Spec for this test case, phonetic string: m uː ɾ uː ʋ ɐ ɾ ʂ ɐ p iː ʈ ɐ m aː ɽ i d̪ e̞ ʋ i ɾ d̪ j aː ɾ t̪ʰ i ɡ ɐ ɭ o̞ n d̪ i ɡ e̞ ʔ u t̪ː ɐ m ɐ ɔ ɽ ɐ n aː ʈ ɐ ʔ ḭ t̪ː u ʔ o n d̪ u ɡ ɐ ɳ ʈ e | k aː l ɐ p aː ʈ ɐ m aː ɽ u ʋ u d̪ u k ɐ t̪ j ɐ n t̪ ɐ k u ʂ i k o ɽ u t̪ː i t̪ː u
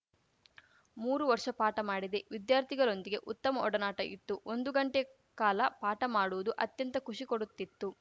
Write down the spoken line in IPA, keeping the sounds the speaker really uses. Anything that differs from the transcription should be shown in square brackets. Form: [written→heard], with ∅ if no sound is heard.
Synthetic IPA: m uː ɾ [uː→u] ʋ ɐ ɾ ʂ ɐ p [iː→aː] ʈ ɐ m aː ɽ i d̪ e̞ ʋ i [ɾ→∅] d̪ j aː ɾ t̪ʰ i ɡ ɐ ɭ o̞ n d̪ i ɡ e̞ ʔ u t̪ː ɐ m ɐ ɔ ɽ ɐ n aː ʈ ɐ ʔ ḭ t̪ː u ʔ o n d̪ u ɡ ɐ ɳ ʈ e | k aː l ɐ p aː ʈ ɐ m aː ɽ u ʋ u d̪ u [k→ʔ] ɐ t̪ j ɐ n t̪ ɐ k u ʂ i k o ɽ u t̪ː i t̪ː u

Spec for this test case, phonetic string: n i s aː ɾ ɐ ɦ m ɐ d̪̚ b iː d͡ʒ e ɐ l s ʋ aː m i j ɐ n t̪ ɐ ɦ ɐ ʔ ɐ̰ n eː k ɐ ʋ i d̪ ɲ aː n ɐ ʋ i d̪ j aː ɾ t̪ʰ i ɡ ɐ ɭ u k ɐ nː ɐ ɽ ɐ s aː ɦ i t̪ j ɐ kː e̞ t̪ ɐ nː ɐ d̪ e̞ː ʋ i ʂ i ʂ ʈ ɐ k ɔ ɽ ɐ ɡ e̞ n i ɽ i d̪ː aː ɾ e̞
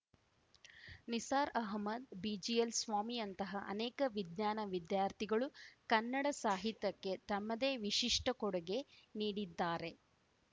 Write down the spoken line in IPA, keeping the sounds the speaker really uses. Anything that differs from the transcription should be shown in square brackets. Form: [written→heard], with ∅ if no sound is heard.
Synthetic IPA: n i s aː ɾ ɐ ɦ m ɐ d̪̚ b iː d͡ʒ [e→i] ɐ l s ʋ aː m i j ɐ n t̪ ɐ ɦ ɐ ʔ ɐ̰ n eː k ɐ ʋ i d̪ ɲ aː n ɐ ʋ i d̪ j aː ɾ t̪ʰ i ɡ ɐ ɭ u k ɐ nː ɐ ɽ ɐ s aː ɦ i t̪ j ɐ kː e̞ t̪ ɐ [nː→mː] ɐ d̪ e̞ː ʋ i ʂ i ʂ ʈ ɐ k ɔ ɽ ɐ ɡ e̞ n [i→iː] ɽ i d̪ː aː ɾ e̞

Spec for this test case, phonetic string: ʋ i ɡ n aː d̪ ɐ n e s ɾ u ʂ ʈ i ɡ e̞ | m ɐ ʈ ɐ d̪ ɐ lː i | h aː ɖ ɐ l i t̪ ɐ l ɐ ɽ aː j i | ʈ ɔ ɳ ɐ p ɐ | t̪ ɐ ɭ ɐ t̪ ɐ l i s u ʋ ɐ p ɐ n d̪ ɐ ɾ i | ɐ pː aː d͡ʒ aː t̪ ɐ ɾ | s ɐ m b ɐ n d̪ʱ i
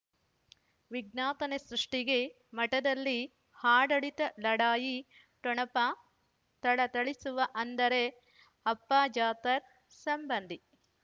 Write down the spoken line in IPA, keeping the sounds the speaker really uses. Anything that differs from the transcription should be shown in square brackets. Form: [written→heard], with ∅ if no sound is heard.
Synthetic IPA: ʋ i ɡ n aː [d̪→t̪] ɐ n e s ɾ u ʂ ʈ i ɡ e̞ | m ɐ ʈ ɐ d̪ ɐ lː i | h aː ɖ ɐ [l→ɭ] i t̪ ɐ l ɐ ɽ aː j i | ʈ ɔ ɳ ɐ p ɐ | t̪ ɐ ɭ ɐ t̪ ɐ [l→ɭ] i s u ʋ ɐ [p→ʔ] ɐ n d̪ ɐ ɾ [i→e] | ɐ pː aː d͡ʒ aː t̪ ɐ ɾ | s ɐ m b ɐ n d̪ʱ i

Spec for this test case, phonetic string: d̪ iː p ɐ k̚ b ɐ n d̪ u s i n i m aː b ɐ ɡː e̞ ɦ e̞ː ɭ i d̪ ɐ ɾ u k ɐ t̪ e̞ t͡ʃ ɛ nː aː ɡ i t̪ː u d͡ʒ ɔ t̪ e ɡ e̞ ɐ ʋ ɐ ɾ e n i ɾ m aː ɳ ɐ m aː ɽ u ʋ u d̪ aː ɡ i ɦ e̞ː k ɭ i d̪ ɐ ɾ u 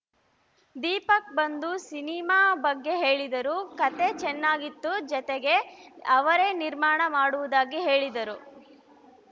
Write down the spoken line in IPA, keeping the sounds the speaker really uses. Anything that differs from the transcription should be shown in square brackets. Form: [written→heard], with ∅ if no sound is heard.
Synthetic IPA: d̪ iː p ɐ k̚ b ɐ n d̪ u s i n i m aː b ɐ ɡː e̞ ɦ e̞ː ɭ i d̪ ɐ ɾ u k ɐ t̪ e̞ t͡ʃ ɛ nː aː ɡ i t̪ː u d͡ʒ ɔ t̪ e ɡ e̞ ɐ ʋ ɐ ɾ e n i ɾ m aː ɳ ɐ m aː ɽ u ʋ u d̪ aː ɡ i ɦ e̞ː [k→∅] ɭ i d̪ ɐ ɾ u

